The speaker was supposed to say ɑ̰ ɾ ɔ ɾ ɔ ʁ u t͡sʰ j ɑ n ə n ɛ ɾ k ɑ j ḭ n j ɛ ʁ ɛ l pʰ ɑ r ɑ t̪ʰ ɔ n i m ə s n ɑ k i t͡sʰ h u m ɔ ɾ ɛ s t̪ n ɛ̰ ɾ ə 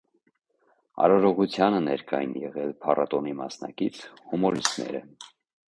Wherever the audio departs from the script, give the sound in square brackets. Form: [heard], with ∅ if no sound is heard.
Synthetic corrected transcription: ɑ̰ ɾ ɔ ɾ ɔ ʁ u t͡sʰ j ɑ n ə n ɛ ɾ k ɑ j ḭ n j ɛ ʁ ɛ l pʰ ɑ r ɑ [t̪] ɔ n i m [ɑ] s n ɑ k i t͡sʰ h u m ɔ ɾ [i] s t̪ n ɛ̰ ɾ ə